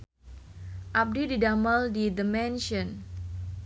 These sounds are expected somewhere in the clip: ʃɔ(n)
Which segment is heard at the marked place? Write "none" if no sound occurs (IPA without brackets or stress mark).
n